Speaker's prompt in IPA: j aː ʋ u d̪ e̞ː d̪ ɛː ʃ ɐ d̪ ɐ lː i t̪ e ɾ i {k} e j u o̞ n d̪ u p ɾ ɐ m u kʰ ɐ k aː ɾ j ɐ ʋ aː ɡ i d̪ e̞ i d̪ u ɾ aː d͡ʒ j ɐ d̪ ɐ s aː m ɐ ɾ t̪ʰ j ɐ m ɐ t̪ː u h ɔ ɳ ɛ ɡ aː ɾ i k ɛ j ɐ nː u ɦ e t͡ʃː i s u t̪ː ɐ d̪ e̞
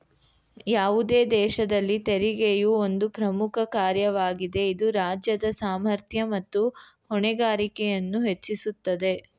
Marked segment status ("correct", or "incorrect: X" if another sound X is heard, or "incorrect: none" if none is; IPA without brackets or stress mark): incorrect: ɡ